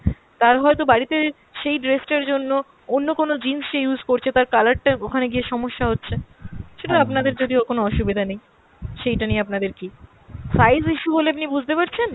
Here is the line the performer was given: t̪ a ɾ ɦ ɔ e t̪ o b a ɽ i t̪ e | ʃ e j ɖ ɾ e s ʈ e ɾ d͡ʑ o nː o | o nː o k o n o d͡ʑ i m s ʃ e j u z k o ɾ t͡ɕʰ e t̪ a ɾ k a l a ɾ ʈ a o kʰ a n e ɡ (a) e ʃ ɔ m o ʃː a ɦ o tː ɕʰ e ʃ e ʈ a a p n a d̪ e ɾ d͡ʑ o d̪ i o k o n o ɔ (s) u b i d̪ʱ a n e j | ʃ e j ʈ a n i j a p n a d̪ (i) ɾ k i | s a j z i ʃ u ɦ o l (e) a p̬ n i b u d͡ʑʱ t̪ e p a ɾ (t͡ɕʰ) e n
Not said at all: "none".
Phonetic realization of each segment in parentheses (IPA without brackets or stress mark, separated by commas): i, ʃ, e, e, t͡ɕʰ